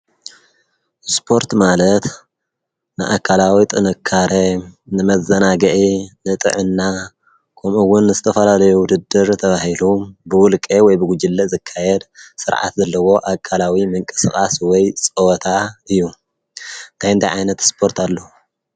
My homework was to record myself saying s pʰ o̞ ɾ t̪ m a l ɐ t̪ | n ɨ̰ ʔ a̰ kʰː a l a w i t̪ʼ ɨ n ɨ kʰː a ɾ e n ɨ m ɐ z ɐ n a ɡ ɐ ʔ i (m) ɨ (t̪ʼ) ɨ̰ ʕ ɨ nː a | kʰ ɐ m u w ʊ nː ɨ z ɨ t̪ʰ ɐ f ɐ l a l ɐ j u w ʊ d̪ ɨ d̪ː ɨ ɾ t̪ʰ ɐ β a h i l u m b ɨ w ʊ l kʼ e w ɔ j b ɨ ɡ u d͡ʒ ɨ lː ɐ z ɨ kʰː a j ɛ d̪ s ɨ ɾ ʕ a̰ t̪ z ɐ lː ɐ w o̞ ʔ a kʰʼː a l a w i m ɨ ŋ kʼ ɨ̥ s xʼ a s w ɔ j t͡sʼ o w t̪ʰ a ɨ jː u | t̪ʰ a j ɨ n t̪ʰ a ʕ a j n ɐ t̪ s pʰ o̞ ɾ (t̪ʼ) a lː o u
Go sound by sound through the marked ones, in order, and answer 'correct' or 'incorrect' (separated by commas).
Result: incorrect, correct, incorrect